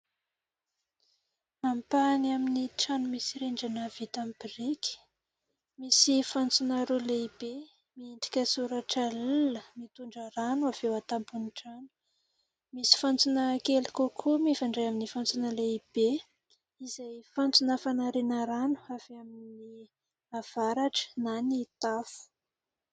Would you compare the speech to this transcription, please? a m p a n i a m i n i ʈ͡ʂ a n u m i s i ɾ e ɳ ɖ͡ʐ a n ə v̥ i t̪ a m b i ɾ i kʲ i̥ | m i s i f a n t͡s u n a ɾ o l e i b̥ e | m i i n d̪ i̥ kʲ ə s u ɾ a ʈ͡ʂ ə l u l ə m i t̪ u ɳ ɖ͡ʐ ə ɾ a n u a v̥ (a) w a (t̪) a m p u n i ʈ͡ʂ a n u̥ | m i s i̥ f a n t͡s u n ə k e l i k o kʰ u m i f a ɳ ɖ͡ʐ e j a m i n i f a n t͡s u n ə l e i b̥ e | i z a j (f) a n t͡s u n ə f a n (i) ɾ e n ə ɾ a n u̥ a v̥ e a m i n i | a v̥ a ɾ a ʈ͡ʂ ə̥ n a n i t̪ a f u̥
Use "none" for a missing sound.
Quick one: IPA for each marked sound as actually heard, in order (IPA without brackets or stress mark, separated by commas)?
e, t̪, f, a